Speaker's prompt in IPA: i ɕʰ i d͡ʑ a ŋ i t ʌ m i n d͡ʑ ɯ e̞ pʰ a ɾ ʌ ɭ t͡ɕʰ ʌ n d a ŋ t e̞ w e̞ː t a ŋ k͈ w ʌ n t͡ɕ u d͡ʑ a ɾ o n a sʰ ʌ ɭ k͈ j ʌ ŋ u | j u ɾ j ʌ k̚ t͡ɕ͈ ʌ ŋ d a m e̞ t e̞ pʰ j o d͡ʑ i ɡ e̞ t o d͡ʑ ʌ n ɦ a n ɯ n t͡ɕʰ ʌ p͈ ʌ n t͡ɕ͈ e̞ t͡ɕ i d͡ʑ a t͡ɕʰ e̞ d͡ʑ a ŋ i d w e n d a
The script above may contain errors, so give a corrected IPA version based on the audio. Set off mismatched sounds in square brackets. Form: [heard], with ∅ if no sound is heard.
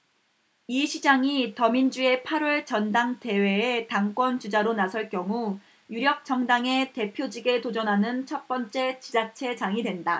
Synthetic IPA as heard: i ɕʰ i d͡ʑ a ŋ i t ʌ m i n d͡ʑ [u] e̞ pʰ a ɾ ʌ ɭ [t͡ɕ] ʌ n d a ŋ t e̞ w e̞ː t a ŋ k͈ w ʌ n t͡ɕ u d͡ʑ a ɾ o n a sʰ ʌ ɭ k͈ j ʌ ŋ u | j u ɾ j ʌ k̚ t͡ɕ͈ ʌ ŋ d a [ŋ] e̞ t e̞ pʰ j o d͡ʑ i ɡ e̞ t o d͡ʑ ʌ n ɦ a n ɯ n t͡ɕʰ ʌ p͈ ʌ n t͡ɕ͈ e̞ t͡ɕ i d͡ʑ a t͡ɕʰ e̞ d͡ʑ a ŋ i d w e n d a